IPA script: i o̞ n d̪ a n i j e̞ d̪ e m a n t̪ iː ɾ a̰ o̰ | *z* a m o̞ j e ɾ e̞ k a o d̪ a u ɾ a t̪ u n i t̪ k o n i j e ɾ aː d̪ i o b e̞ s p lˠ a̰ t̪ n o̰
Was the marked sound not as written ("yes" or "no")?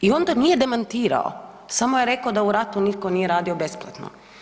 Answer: yes